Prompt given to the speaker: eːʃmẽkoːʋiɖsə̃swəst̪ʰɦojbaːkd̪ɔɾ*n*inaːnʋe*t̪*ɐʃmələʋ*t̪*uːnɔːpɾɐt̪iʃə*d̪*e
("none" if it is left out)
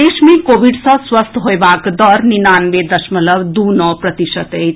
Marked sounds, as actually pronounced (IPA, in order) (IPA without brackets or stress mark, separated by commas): n, d̪, d̪, t̪